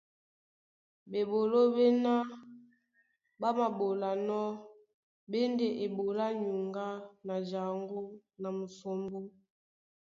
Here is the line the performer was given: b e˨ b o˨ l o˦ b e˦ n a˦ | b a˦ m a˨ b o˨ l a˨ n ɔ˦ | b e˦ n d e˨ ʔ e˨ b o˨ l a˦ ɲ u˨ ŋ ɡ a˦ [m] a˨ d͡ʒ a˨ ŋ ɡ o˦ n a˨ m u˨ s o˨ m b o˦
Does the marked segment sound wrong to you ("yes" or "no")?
yes